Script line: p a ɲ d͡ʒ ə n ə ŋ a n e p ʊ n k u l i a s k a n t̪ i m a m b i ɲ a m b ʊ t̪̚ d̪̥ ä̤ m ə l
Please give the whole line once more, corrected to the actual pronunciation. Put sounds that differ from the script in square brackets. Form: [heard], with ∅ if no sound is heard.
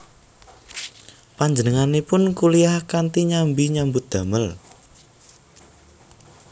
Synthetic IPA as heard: p a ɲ d͡ʒ ə n ə ŋ a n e p ʊ n k u l i a [h] k a n t̪ i [ɲ] a m b i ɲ a m b ʊ t̪̚ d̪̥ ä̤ m ə l

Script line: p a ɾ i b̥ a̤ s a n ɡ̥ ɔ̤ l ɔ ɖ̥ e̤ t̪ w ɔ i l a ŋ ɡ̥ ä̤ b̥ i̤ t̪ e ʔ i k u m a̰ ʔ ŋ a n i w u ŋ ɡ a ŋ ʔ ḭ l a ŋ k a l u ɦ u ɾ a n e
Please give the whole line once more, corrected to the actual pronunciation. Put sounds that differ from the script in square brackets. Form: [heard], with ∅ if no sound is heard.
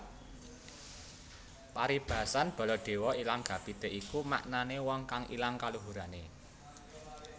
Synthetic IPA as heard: p a ɾ i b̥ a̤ s a n [b̥] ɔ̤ l ɔ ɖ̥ e̤ [∅] w ɔ i l a ŋ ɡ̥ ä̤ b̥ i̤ t̪ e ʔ i k u m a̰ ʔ [n] a n [e] w [ɔ] ŋ [k] a ŋ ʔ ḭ l a ŋ k a l u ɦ u ɾ a n e

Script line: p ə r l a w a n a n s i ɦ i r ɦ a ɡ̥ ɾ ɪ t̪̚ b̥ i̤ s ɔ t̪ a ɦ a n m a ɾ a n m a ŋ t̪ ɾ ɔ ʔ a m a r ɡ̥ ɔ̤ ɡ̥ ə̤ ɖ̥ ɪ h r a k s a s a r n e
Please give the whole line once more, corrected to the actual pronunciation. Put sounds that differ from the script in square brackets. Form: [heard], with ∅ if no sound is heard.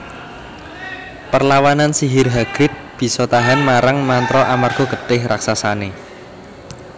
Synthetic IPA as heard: p ə r l a w a n a n s i ɦ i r ɦ a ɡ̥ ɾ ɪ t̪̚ b̥ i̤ s ɔ t̪ a ɦ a n m a ɾ a [ŋ] m a [n] t̪ ɾ ɔ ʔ a m a r ɡ̥ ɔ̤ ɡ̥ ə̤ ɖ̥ ɪ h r a k s a s a [∅] n e

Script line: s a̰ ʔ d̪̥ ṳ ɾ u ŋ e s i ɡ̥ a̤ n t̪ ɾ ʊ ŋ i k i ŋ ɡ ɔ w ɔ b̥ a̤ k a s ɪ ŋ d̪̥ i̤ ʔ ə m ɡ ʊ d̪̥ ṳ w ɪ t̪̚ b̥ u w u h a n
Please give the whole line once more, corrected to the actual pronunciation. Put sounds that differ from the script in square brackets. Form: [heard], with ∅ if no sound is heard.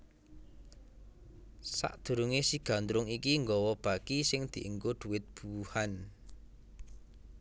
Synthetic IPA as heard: s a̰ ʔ d̪̥ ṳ ɾ u ŋ e s i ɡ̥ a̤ n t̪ ɾ ʊ ŋ i k i ŋ ɡ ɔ w ɔ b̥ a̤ k [i] s ɪ ŋ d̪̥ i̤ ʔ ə [ŋ] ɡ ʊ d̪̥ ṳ w ɪ t̪̚ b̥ u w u h a n

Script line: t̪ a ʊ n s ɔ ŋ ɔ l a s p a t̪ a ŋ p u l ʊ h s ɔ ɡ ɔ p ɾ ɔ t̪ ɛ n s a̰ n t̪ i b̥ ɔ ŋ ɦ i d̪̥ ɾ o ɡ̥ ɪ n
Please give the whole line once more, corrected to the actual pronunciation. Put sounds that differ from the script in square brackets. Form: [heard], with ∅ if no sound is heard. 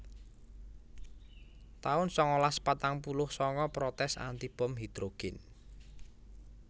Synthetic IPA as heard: t̪ a ʊ n s ɔ ŋ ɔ l a s p a t̪ a ŋ p u l ʊ h s ɔ [ŋ] ɔ p ɾ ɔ t̪ ɛ [∅] s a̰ n t̪ i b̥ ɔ [m] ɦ i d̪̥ ɾ o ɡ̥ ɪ n

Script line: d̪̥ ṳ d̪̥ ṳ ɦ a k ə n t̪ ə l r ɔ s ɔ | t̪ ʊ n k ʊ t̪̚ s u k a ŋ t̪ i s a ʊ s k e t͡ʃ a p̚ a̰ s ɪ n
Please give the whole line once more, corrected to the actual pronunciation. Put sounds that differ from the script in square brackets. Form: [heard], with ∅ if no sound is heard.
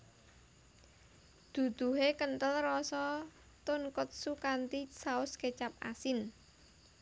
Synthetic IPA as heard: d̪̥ ṳ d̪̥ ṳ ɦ [e] k ə n t̪ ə l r ɔ s ɔ | t̪ ʊ n k ʊ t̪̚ s u k a [n] t̪ i s a ʊ s k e t͡ʃ a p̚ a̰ s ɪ n

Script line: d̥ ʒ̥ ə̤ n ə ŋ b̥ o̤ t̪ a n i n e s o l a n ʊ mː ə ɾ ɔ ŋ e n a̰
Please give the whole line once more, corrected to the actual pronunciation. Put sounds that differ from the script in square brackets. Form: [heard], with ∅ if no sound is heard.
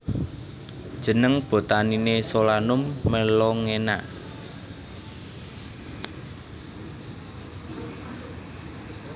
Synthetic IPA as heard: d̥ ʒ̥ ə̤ n ə ŋ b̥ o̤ t̪ a n i n e s o l a n ʊ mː ə [l] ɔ ŋ e n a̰

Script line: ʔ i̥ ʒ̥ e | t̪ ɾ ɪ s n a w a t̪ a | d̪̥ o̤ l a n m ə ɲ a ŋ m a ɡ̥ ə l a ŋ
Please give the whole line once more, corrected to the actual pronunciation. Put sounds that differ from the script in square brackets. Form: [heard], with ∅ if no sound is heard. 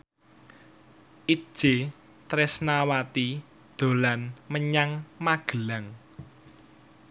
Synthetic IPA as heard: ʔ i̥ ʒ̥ e | t̪ ɾ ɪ s n a w a t̪ [i] | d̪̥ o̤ l a n m ə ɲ a ŋ m a ɡ̥ ə l a ŋ

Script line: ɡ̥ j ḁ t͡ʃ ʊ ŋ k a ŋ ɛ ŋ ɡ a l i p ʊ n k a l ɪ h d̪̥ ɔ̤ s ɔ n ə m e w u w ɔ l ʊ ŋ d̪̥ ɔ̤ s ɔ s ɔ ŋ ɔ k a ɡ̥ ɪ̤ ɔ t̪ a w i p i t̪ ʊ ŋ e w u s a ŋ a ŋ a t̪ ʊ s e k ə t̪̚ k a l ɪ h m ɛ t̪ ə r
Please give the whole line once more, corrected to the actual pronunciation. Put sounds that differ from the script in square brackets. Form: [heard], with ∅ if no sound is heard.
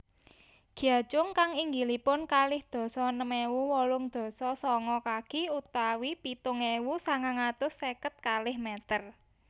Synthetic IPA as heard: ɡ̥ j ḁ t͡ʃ ʊ ŋ k a ŋ [i] ŋ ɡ [i] l i p ʊ n k a l ɪ h d̪̥ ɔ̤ s ɔ n ə m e w u w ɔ l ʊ ŋ d̪̥ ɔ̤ s ɔ s ɔ ŋ ɔ k a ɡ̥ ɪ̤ [u] t̪ a w i p i t̪ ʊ ŋ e w u s a ŋ a ŋ a t̪ ʊ s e k ə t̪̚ k a l ɪ h m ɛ t̪ ə r

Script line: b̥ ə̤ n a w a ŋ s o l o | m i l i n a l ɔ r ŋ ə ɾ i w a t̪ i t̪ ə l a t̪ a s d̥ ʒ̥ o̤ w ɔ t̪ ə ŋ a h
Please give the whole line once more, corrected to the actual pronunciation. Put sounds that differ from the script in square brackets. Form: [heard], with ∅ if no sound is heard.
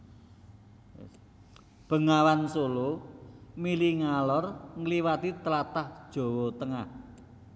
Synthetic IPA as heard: b̥ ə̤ [ŋ] a w a [n] s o l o | m i l i [ŋ] a l ɔ r ŋ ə [l] i w a t̪ i t̪ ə l a t̪ a [h] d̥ ʒ̥ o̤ w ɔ t̪ ə ŋ a h

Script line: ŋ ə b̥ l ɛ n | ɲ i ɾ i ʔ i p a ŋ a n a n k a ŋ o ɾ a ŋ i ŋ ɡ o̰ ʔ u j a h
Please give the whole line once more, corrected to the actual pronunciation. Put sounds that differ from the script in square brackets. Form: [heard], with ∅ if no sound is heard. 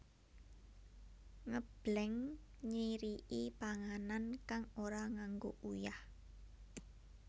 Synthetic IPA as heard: ŋ ə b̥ l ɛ [ŋ] | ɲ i ɾ i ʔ i p a ŋ a n a n k a ŋ o ɾ a ŋ [a] ŋ ɡ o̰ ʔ u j a h

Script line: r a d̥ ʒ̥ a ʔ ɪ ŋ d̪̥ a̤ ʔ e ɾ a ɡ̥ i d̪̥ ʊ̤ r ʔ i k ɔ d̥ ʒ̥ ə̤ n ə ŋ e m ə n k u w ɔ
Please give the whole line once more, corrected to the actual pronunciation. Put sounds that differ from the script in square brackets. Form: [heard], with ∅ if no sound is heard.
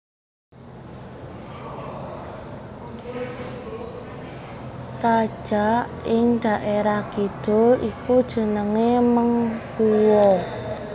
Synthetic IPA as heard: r a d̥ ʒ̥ a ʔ ɪ ŋ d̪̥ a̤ ʔ e ɾ a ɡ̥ i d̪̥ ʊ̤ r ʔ i k [u] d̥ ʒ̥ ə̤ n ə ŋ e m ə [ŋ] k u w ɔ

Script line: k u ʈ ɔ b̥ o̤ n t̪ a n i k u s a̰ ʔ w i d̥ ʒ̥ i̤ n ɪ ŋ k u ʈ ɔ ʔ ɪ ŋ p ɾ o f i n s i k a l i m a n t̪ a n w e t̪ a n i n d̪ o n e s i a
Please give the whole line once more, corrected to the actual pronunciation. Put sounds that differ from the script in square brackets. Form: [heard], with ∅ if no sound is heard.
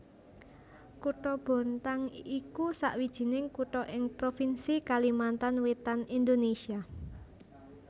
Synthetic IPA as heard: k u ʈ ɔ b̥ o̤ n t̪ a [ŋ] i k u s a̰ ʔ w i d̥ ʒ̥ i̤ n ɪ ŋ k u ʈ ɔ ʔ ɪ ŋ p ɾ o f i n s i k a l i m a n t̪ a n w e t̪ a n i n d̪ o n e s i a

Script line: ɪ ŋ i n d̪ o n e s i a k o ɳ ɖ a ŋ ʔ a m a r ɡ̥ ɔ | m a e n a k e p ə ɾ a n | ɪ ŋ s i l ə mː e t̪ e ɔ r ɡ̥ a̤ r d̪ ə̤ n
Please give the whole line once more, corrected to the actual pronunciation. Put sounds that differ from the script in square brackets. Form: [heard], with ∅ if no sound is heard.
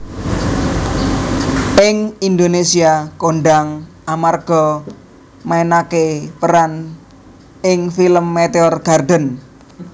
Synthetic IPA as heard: ɪ ŋ i n d̪ o n e s i a k o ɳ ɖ a ŋ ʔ a m a r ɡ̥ ɔ | m a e n a k e p ə ɾ a n | ɪ ŋ [f] i l ə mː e t̪ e ɔ r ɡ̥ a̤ r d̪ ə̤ n

